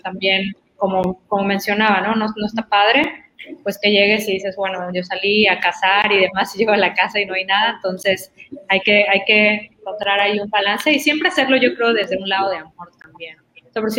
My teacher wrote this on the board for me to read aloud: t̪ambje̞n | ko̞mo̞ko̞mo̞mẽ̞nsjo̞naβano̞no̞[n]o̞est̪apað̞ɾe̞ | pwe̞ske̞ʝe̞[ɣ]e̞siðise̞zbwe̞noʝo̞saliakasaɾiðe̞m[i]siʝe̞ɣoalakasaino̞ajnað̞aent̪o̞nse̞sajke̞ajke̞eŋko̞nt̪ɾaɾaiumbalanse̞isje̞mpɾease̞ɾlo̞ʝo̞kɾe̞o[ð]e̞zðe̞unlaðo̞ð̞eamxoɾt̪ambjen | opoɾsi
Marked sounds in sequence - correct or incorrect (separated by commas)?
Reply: correct, correct, incorrect, correct